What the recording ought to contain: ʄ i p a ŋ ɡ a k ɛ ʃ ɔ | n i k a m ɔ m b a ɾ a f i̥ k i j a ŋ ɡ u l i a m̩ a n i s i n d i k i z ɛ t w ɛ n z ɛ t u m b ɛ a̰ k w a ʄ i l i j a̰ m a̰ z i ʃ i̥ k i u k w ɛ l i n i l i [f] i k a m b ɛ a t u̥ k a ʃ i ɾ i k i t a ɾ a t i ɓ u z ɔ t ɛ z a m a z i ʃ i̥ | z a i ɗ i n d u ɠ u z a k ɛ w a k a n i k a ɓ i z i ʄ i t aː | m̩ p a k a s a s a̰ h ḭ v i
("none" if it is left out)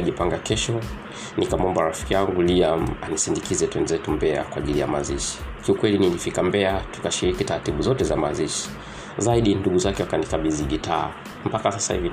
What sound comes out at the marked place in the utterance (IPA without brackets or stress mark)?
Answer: f